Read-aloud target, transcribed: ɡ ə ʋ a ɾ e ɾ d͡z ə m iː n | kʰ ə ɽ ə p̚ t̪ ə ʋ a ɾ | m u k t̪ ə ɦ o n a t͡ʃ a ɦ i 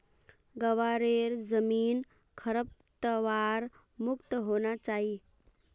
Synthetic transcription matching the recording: ɡ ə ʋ a ɾ e ɾ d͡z ə m iː n | kʰ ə ɾ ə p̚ t̪ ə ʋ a ɾ | m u k t̪ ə ɦ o n a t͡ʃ a ɦ i